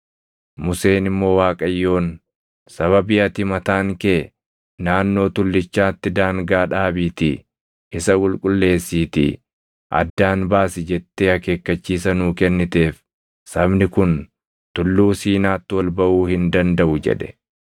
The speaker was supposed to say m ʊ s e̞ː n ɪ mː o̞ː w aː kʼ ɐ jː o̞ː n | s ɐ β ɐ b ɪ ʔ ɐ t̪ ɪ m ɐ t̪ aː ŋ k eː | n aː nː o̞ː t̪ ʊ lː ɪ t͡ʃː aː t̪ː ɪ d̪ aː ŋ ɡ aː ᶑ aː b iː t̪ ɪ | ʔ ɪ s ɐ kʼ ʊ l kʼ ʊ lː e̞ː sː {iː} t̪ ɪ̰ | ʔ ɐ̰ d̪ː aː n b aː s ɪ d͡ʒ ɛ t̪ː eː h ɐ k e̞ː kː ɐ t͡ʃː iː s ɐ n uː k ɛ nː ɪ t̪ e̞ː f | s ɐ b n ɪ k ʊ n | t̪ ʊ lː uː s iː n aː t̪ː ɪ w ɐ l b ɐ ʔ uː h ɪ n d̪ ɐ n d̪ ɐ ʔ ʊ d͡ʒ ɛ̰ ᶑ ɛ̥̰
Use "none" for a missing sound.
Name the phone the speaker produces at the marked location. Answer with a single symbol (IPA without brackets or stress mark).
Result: iː